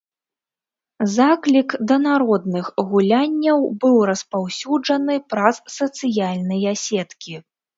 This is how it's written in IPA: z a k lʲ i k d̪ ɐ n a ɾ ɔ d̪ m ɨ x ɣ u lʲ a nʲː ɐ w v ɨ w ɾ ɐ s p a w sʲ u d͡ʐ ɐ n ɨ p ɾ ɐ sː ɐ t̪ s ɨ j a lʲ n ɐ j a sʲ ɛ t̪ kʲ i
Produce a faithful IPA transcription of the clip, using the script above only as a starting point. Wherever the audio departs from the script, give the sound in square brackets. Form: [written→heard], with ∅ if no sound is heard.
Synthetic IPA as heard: z a k lʲ i k d̪ ɐ n a ɾ ɔ d̪ [m→n] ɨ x ɣ u lʲ a nʲː ɐ w [v→b] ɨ w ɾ ɐ s p a w sʲ u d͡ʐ ɐ n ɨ p ɾ ɐ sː ɐ t̪ s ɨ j a lʲ n ɐ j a sʲ ɛ t̪ kʲ i